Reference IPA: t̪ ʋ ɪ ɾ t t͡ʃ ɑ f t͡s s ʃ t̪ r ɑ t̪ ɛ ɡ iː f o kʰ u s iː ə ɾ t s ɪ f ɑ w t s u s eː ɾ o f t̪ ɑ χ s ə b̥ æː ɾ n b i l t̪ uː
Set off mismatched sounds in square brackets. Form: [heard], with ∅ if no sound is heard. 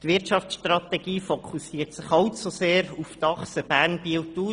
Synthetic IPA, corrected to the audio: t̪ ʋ ɪ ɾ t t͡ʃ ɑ f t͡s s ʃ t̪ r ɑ t̪ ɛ ɡ iː f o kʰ u s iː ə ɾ t s ɪ [χ] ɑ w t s u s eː ɾ [u] f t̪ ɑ χ s ə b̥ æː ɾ n b i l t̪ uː